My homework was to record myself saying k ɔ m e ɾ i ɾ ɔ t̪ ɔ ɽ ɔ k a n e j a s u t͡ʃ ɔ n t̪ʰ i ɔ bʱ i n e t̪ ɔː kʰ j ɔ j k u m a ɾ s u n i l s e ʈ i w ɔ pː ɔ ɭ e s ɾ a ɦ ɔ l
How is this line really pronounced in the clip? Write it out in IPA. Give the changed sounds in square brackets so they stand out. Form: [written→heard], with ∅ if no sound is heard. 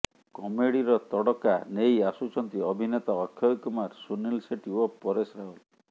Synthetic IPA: k ɔ m e [ɾ→ɽ] i ɾ ɔ t̪ ɔ ɽ ɔ k a n e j a s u t͡ʃ ɔ n [t̪ʰ→t̪] i ɔ bʱ i n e t̪ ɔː kʰ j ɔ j k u m a ɾ s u n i l s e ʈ i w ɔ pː ɔ [ɭ→ɾ] e s ɾ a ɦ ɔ l